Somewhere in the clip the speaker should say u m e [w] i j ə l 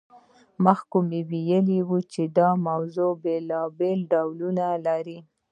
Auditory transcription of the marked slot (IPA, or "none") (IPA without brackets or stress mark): w